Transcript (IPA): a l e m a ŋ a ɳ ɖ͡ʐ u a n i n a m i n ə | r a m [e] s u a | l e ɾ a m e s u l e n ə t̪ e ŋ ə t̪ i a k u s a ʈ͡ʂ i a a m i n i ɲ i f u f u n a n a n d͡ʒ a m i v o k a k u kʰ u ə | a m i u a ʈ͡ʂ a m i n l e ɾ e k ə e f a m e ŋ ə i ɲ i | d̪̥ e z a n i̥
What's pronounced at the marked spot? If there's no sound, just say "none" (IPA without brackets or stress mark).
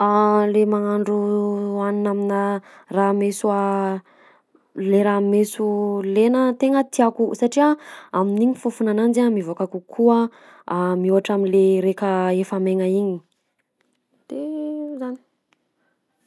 e